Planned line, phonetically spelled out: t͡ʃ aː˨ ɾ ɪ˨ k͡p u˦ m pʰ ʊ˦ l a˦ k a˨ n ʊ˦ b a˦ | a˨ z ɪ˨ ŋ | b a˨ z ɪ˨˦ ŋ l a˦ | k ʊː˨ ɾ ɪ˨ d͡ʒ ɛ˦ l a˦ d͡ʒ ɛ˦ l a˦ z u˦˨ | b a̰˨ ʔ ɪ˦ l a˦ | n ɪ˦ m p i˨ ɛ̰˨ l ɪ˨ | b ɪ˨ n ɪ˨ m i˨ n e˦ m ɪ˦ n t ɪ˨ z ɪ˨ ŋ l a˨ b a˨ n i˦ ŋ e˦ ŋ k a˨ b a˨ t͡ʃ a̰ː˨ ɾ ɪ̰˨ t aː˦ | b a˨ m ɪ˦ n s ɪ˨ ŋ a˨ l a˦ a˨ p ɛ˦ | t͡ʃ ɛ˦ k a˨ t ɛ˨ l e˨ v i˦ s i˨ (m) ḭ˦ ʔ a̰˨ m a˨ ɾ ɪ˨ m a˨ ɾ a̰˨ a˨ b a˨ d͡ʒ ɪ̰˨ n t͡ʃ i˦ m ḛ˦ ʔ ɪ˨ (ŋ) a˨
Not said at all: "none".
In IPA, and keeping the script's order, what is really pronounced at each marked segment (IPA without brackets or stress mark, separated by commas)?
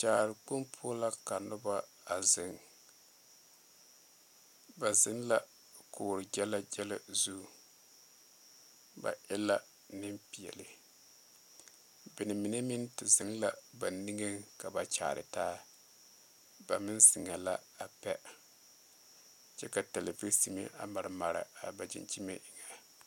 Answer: m, ŋ